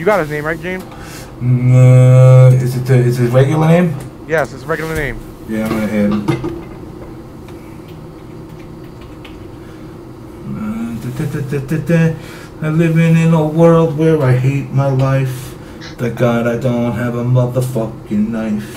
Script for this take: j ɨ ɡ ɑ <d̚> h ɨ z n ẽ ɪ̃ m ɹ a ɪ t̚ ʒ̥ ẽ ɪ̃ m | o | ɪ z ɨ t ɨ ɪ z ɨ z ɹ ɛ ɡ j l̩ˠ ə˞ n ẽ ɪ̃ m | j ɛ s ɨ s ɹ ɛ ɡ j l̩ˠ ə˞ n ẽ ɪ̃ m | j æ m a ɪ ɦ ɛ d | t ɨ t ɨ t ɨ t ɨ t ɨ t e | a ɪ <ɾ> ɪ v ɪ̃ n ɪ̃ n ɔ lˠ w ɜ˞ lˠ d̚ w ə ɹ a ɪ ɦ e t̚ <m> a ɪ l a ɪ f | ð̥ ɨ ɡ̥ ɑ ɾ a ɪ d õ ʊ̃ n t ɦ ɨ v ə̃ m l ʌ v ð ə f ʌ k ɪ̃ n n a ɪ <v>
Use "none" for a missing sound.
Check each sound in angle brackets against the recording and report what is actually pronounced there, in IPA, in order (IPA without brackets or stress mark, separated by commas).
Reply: t̚, l, m, f